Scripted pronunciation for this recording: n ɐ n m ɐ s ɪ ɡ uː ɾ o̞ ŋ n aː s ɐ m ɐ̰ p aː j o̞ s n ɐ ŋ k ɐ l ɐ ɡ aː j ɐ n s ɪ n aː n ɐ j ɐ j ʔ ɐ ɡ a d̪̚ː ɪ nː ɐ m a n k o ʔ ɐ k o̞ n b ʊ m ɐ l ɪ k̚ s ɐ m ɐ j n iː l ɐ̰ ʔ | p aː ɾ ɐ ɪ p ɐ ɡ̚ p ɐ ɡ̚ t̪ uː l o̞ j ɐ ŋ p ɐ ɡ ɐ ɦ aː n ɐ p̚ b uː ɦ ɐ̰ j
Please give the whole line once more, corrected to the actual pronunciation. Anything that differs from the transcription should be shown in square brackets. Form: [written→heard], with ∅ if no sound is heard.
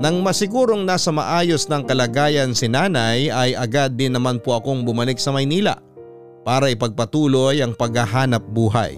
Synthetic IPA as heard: n ɐ [n→ŋ] m ɐ s ɪ ɡ uː ɾ o̞ ŋ n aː s ɐ m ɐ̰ [p→ʔ] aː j o̞ s n ɐ ŋ k ɐ l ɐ ɡ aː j ɐ n s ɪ n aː n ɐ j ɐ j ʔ ɐ ɡ a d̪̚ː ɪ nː ɐ m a n [k→p] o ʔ ɐ k o̞ [n→ŋ] b ʊ m ɐ l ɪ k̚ s ɐ m ɐ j n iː l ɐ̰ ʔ | p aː ɾ ɐ ɪ p ɐ ɡ̚ p ɐ [ɡ̚→∅] t̪ uː l o̞ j ɐ ŋ p ɐ ɡ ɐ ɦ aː n ɐ p̚ b uː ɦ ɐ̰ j